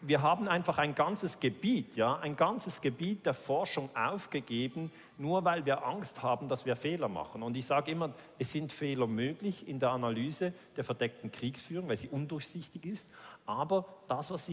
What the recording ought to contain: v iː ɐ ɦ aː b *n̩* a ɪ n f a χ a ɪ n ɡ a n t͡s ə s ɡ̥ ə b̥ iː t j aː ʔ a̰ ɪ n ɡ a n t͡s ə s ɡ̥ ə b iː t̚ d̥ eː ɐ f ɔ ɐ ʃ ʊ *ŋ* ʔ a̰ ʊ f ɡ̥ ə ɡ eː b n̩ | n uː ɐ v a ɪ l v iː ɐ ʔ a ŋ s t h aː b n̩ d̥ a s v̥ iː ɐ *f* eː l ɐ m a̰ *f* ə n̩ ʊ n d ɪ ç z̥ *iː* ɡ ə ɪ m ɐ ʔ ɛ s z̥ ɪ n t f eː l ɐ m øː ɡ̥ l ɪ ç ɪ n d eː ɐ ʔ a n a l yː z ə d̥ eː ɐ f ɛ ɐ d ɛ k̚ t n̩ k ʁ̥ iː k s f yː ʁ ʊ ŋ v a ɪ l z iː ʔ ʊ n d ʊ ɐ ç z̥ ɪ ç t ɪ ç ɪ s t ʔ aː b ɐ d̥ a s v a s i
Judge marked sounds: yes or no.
yes, yes, yes, no, no

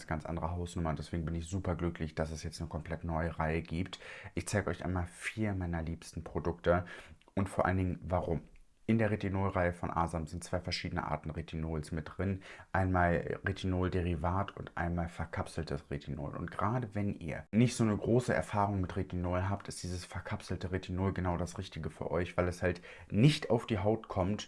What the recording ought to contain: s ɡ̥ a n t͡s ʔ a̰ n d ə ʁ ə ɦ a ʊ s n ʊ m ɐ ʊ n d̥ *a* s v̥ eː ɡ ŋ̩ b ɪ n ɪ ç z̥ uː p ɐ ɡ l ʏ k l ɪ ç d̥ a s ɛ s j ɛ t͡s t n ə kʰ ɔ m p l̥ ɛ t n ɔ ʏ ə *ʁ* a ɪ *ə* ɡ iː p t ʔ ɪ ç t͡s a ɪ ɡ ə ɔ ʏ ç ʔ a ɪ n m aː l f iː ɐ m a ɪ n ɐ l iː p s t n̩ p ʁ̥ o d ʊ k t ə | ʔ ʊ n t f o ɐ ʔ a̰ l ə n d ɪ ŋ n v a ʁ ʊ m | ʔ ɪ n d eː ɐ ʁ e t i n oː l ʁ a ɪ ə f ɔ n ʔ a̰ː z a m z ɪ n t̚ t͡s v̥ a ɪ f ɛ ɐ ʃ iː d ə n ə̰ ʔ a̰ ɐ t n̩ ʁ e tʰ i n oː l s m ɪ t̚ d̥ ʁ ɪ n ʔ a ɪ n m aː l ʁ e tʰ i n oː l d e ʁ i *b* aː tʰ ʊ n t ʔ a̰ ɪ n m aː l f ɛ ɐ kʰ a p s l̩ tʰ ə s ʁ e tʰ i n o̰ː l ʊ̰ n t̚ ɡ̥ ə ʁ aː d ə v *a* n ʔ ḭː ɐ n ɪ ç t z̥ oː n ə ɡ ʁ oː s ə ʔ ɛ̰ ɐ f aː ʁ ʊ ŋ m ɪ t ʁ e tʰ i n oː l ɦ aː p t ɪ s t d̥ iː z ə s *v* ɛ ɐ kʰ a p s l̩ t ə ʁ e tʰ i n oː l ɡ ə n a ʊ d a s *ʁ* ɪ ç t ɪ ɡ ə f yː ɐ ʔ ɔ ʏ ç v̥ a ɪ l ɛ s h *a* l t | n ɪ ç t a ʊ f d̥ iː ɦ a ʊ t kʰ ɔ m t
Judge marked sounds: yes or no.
no, yes, yes, no, no, no, yes, yes

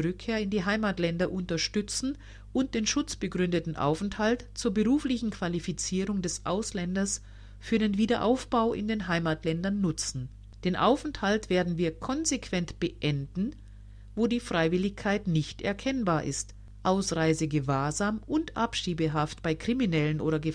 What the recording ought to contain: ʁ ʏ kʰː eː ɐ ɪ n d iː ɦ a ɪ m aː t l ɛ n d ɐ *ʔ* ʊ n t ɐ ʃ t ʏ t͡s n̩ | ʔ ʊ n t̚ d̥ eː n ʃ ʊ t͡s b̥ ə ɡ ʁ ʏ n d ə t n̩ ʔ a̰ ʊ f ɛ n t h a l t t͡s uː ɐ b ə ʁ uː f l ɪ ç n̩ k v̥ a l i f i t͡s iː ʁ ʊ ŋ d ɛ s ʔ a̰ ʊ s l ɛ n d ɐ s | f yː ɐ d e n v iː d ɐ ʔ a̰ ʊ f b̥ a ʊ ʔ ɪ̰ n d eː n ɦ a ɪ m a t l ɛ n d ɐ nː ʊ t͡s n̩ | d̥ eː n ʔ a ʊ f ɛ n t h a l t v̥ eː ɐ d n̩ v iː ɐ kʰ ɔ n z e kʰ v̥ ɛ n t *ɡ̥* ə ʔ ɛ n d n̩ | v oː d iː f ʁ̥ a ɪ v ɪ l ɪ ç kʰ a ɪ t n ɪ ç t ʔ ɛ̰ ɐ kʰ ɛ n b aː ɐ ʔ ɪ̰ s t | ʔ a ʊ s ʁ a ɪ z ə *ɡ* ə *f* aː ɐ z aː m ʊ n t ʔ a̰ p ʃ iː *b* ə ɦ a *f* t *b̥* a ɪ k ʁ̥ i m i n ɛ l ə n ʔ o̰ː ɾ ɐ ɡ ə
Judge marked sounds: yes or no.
yes, no, yes, no, yes, yes, yes

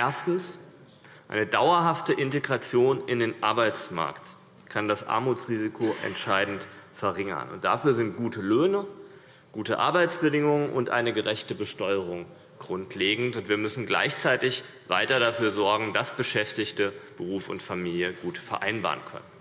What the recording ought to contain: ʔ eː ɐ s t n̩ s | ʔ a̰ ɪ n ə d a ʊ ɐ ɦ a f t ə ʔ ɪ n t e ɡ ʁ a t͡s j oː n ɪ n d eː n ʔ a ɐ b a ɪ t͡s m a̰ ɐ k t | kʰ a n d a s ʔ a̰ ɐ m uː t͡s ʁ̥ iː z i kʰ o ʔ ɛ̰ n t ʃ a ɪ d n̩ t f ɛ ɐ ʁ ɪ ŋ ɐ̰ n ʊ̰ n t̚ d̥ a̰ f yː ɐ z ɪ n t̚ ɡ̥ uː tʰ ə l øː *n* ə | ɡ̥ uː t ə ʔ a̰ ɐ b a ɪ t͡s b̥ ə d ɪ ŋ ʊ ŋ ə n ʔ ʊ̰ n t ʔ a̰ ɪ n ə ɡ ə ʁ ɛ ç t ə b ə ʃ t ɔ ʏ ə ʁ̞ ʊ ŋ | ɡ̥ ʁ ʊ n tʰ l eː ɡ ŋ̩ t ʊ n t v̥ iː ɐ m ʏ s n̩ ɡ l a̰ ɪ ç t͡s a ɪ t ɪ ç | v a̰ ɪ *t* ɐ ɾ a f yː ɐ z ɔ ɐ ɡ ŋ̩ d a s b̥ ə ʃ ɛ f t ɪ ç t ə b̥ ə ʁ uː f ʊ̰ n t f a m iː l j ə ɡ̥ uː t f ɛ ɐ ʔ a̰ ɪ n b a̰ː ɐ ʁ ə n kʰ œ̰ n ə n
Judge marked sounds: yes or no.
yes, yes

